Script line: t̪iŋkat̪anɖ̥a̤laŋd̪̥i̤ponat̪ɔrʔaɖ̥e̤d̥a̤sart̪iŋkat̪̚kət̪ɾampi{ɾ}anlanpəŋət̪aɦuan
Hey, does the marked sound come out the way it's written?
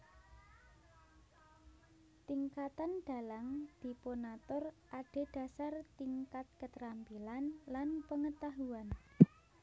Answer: no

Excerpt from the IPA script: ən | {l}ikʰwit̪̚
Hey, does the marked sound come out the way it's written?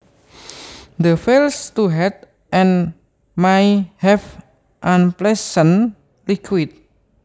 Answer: yes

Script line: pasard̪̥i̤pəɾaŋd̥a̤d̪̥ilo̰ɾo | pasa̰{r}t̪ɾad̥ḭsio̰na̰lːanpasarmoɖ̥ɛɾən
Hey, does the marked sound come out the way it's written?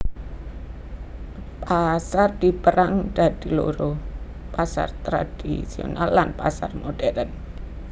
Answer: yes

